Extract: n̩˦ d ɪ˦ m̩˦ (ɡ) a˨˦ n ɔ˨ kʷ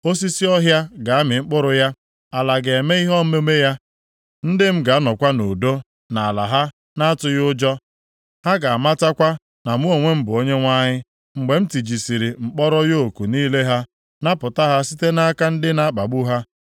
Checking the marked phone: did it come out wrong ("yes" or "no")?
no